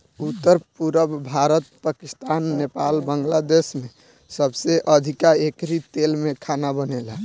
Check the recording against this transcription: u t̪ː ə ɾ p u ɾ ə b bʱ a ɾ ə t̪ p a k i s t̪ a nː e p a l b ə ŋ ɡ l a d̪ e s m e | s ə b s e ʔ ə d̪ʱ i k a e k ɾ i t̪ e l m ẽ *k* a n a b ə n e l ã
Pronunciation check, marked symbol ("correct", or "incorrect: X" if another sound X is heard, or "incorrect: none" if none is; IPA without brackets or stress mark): incorrect: kʰ